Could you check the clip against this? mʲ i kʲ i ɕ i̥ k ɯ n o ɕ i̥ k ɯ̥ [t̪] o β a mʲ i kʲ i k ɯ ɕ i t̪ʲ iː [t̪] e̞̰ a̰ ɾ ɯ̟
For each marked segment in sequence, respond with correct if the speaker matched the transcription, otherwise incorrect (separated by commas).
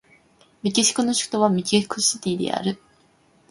correct, incorrect